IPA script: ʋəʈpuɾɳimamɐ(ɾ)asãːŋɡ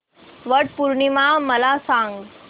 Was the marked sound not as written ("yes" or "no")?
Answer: yes